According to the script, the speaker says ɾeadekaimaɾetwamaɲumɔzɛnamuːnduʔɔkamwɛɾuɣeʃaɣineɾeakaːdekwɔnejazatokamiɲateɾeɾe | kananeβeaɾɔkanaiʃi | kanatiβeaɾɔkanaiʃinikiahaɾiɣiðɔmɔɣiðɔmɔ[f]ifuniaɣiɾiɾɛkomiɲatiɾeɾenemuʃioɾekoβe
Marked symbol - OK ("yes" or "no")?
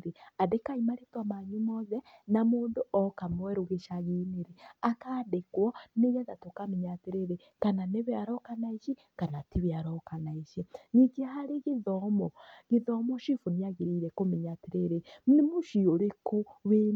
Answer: no